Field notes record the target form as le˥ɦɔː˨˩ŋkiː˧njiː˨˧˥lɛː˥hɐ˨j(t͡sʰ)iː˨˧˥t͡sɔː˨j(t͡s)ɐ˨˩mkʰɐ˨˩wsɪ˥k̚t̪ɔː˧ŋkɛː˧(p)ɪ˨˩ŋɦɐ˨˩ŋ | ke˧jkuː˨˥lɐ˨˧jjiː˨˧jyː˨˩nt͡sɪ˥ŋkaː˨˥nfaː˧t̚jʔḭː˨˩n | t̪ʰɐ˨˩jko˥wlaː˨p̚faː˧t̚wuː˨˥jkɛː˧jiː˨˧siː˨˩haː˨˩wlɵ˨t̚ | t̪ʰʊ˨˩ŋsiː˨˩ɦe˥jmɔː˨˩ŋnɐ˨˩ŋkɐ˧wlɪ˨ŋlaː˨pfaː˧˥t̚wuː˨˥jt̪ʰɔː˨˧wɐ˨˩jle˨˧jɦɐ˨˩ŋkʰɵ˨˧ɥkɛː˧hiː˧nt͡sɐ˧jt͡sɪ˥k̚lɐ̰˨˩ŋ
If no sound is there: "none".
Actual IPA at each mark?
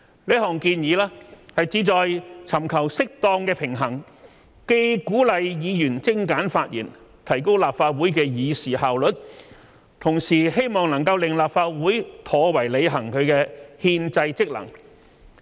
t͡s, t͡sʰ, pʰ

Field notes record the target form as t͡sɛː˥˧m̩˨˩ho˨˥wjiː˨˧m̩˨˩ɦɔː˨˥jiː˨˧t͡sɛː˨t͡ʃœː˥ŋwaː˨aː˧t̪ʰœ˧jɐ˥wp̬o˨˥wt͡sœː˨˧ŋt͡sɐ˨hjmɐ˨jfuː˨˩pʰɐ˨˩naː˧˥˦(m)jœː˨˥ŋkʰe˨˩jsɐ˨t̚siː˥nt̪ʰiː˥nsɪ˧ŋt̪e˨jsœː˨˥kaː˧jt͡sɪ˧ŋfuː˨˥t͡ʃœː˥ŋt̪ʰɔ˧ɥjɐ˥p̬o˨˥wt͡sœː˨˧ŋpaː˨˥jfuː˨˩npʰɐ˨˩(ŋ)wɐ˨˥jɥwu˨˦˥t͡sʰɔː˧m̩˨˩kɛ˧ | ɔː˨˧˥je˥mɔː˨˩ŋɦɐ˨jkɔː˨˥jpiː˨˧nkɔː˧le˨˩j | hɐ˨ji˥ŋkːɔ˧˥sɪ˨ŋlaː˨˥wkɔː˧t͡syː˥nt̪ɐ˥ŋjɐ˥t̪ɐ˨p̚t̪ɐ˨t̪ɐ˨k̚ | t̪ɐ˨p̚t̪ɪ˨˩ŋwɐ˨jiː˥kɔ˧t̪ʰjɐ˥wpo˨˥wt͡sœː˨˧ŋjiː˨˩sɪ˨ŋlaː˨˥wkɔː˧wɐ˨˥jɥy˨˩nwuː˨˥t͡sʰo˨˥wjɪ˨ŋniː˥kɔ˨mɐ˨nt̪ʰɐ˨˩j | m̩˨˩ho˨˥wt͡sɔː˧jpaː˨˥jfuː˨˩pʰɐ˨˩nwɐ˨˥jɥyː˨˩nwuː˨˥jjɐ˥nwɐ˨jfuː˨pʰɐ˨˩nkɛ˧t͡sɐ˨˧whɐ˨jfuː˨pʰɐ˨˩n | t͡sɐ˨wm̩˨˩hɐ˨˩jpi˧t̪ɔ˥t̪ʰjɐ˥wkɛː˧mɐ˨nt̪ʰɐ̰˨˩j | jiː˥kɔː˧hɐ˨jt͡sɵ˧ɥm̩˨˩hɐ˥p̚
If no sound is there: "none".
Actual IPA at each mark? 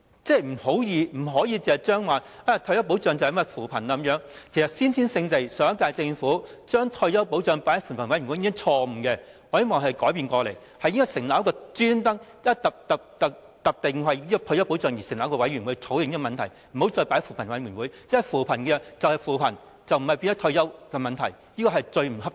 m, n

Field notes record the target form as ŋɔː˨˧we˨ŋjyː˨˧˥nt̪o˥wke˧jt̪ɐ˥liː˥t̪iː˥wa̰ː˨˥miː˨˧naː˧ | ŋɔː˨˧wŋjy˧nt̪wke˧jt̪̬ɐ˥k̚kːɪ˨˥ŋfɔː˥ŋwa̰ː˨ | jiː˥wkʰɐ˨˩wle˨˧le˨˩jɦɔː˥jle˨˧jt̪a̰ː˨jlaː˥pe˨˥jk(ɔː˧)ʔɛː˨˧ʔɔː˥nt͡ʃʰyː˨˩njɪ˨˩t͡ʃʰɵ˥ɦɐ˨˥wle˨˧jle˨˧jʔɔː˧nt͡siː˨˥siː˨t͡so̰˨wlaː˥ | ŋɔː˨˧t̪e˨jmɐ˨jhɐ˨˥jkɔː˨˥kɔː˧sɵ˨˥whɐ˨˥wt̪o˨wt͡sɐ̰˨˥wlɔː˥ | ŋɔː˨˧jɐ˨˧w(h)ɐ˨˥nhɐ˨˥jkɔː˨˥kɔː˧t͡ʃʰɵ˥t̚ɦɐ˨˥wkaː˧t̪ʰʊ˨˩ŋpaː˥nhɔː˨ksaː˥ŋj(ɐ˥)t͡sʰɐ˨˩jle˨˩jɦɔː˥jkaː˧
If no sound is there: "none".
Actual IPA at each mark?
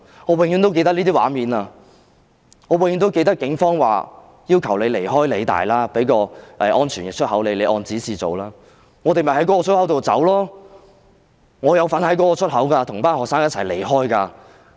ɔː˧, f, ɐ˥

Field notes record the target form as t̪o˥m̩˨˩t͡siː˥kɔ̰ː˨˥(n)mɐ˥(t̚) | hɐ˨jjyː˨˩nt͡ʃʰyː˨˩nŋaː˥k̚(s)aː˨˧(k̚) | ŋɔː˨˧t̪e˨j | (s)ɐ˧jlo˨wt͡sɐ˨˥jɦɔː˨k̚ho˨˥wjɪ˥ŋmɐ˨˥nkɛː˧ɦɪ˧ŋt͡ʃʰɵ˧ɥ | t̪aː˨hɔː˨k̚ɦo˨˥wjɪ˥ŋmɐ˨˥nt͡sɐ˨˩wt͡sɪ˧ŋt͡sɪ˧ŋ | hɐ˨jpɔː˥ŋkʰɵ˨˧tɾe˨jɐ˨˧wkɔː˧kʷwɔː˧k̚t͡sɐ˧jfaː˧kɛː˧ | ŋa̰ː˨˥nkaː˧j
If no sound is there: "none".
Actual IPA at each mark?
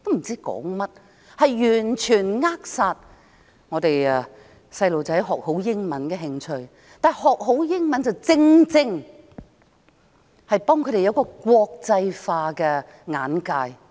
ŋ, t̚, s, t̚, s

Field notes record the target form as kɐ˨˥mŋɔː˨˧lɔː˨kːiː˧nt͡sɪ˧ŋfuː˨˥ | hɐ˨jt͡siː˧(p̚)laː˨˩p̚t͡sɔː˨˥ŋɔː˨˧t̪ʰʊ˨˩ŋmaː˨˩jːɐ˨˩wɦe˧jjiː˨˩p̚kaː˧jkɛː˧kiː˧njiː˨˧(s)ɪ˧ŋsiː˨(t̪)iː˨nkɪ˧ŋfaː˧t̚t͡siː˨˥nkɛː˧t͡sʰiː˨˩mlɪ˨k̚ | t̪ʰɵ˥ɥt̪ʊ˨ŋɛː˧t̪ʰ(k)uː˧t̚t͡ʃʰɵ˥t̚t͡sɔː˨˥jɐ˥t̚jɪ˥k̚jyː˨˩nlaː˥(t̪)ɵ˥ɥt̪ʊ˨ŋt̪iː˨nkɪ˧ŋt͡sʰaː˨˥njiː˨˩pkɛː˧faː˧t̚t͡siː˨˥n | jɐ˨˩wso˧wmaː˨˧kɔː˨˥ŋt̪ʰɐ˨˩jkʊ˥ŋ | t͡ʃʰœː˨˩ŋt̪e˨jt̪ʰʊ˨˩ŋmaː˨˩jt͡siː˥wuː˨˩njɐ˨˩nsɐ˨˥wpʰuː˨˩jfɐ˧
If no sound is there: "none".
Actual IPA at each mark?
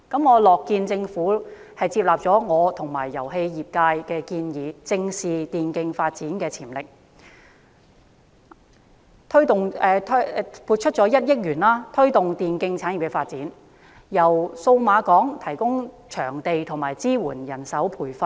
p̚, t͡s, t̪, p, t̪ʰ

